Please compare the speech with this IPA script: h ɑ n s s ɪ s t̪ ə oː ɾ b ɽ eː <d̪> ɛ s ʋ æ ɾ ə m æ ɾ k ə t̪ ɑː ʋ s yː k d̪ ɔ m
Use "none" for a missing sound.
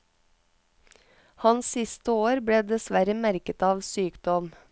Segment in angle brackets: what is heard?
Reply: d̪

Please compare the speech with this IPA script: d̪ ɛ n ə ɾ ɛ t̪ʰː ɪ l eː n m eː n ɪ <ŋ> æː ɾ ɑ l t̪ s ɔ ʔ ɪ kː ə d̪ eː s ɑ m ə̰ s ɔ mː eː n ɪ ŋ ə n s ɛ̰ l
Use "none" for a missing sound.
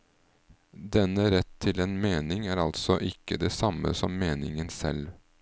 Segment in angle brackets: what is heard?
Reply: ŋ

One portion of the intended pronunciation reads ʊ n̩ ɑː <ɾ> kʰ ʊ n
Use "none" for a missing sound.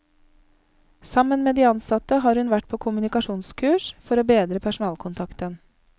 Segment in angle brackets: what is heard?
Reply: l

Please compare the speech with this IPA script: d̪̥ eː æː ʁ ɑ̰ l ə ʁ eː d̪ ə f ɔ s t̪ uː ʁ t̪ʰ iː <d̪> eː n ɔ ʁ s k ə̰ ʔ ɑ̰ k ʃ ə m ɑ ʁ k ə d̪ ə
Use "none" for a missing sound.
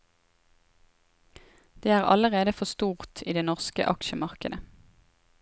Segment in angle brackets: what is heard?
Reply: d̪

